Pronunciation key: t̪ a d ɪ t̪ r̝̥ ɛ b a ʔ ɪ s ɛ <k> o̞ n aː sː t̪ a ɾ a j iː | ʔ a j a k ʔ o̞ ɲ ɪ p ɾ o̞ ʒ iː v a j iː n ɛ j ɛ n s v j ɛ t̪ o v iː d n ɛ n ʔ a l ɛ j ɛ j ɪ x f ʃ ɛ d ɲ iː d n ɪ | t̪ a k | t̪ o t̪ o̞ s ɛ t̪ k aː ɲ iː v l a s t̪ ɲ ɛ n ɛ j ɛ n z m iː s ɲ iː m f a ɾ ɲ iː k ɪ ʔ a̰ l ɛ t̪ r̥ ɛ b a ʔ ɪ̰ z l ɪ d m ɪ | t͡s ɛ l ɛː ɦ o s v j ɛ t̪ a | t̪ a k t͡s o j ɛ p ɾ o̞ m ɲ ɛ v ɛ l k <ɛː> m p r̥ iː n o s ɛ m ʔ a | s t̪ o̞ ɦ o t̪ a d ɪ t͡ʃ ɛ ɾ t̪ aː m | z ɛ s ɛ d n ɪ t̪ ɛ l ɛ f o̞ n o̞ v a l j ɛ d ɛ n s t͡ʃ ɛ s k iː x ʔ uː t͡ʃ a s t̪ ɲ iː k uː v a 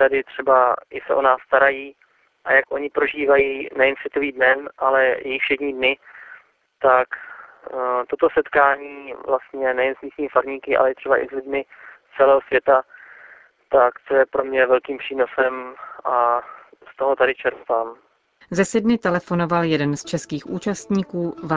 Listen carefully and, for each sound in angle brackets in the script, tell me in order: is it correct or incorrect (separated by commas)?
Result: incorrect, incorrect